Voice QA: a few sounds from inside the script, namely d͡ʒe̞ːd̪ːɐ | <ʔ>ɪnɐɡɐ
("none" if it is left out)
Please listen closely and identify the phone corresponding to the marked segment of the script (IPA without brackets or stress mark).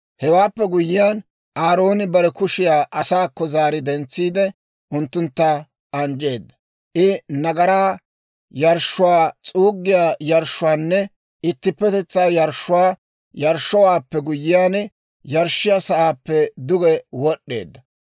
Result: ʔ